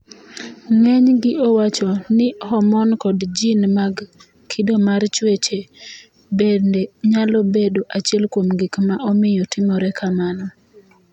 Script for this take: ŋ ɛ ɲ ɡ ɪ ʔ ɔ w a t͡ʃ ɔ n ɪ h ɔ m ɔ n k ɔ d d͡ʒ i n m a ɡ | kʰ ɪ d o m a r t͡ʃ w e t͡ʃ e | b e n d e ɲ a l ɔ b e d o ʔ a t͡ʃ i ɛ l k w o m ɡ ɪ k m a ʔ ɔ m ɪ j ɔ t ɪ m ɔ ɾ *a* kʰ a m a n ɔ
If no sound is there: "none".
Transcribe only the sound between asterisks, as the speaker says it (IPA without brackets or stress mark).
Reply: ɛ